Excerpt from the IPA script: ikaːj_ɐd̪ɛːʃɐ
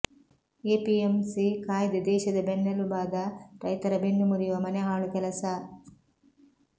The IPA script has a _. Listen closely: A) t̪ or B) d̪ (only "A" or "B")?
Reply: B